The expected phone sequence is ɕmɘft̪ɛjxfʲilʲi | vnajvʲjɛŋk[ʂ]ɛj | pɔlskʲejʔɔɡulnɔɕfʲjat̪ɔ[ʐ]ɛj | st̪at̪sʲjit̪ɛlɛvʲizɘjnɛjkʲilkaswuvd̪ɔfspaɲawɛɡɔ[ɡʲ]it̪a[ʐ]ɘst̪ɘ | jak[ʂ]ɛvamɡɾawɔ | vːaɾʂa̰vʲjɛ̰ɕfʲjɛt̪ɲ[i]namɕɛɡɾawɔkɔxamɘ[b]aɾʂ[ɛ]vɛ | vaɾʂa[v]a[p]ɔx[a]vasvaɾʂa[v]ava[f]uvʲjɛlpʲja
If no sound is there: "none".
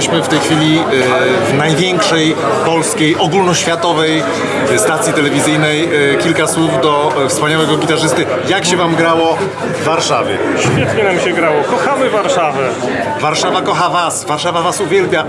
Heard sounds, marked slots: ʂ, v, ɡʲ, ʐ, ɕ, ɛ, v, a, v, k, a, v, s

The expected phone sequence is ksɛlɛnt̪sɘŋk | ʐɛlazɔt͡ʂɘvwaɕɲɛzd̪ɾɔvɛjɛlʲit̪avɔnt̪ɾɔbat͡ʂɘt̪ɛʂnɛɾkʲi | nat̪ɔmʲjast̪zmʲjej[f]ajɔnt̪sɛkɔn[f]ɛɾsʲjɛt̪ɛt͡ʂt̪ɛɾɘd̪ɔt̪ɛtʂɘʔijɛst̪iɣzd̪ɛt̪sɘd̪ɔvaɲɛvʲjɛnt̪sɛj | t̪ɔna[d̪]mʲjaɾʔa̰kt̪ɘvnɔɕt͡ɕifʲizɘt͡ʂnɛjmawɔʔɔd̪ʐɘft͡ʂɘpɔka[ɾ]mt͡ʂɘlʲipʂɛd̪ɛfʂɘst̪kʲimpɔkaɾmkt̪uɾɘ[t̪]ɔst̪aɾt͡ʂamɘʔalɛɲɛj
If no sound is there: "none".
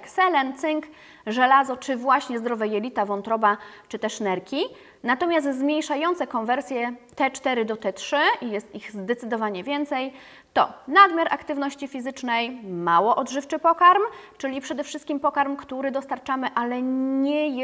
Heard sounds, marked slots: ʂ, v, d̪, ɾ, d̪

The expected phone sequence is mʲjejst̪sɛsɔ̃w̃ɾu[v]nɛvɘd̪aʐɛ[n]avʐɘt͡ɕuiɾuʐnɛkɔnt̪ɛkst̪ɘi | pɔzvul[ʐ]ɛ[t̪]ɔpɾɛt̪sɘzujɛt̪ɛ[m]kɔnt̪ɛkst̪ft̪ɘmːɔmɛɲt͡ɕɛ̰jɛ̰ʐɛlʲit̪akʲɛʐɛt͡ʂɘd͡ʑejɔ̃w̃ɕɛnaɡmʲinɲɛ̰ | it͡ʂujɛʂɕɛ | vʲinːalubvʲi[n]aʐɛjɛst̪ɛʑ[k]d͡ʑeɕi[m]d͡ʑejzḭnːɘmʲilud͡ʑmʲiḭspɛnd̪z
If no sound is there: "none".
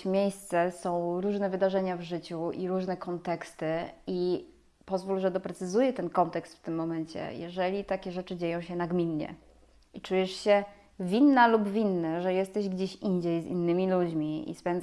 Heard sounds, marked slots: ʐ, ɲ, ʐ, d̪, n, nː, ɡ, ɲ

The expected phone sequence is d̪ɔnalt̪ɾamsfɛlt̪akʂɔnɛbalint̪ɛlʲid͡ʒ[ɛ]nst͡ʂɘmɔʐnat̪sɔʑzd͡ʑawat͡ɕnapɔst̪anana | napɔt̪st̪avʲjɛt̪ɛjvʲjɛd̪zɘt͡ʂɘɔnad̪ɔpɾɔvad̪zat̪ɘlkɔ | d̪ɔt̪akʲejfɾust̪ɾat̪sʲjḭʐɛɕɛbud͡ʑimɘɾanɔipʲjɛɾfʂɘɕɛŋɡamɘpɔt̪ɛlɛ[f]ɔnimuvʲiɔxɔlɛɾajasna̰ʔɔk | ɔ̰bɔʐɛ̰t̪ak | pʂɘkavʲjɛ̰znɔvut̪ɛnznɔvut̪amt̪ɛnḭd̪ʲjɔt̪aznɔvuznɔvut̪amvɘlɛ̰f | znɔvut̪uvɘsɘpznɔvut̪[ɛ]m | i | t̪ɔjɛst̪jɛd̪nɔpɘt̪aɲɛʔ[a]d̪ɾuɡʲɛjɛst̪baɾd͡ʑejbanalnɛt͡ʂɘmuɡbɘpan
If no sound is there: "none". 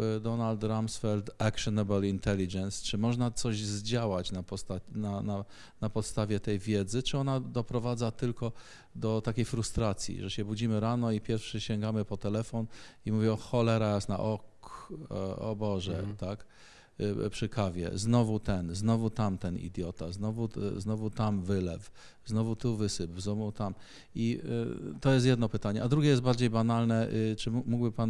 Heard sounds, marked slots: ɛ, f, a, a

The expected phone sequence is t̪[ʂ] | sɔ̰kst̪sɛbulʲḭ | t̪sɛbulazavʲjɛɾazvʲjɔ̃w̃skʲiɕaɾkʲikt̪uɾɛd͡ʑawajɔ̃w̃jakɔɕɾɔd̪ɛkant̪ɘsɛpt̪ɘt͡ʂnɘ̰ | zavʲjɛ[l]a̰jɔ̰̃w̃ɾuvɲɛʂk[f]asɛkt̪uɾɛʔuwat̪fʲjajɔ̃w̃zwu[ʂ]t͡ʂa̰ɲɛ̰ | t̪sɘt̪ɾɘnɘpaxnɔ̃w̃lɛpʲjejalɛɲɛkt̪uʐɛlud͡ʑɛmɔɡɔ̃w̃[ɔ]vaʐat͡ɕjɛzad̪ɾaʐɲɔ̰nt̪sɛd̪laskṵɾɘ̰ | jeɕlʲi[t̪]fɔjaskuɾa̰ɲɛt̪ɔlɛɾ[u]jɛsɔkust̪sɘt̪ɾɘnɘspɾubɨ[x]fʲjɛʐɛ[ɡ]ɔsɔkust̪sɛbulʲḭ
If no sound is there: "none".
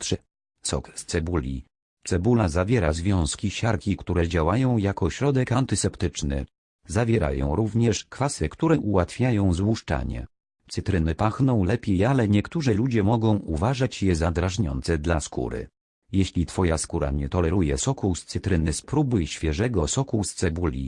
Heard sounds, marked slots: ʂ, ɾ, f, ʂ, u, t̪, u, ɕ, ɡ

